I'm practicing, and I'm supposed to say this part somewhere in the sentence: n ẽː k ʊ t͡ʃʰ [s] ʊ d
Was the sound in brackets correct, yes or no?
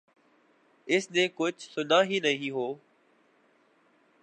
yes